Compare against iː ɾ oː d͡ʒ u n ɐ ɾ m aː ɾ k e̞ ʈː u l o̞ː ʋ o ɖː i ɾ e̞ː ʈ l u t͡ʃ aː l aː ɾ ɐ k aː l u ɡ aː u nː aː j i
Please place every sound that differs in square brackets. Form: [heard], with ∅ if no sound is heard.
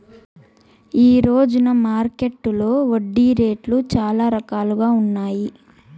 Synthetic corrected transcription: iː ɾ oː d͡ʒ u n ɐ [∅] m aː ɾ k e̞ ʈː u l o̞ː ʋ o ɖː i ɾ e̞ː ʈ l u t͡ʃ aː l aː ɾ ɐ k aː l u ɡ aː u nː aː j i